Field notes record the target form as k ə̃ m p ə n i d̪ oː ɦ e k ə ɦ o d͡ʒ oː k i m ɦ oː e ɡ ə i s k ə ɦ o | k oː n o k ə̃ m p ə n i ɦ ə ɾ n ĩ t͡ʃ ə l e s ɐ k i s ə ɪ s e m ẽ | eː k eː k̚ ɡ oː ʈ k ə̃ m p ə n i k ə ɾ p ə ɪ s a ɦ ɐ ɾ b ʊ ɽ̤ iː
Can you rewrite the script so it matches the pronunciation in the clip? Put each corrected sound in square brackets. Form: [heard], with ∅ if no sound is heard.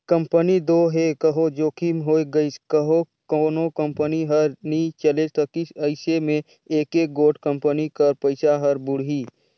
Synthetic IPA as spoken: k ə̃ m p ə n i d̪ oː ɦ e k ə ɦ o d͡ʒ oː k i m ɦ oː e ɡ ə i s k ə ɦ o | k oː n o k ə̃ m p ə n i ɦ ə ɾ n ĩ t͡ʃ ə l e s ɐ k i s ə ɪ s e m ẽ | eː k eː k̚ ɡ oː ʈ k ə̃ m p ə n i k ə ɾ p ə ɪ s a ɦ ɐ ɾ b ʊ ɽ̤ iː